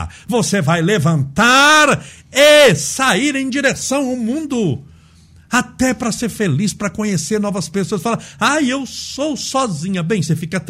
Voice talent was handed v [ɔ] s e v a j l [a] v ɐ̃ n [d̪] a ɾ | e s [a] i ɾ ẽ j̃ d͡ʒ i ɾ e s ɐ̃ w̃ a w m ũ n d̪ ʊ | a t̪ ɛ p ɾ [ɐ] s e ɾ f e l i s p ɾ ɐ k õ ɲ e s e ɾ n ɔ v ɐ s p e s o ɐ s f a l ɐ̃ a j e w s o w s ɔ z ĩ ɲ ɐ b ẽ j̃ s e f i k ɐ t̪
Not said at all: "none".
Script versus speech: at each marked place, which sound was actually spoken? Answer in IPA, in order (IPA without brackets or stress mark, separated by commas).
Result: o, e, t̪, a, ɐ